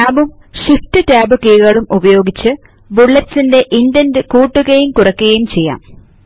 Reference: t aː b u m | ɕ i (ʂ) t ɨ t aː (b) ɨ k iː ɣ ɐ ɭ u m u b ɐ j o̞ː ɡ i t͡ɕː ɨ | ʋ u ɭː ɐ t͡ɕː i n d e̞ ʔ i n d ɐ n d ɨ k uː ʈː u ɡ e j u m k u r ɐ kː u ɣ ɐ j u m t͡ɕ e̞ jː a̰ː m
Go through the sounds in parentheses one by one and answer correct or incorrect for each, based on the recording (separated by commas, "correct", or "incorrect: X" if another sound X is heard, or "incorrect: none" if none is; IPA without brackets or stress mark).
incorrect: f, correct